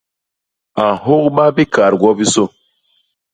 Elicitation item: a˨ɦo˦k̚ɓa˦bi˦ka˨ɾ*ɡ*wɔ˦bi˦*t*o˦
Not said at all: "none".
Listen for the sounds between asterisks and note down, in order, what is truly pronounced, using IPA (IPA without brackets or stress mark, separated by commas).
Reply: ɡ, s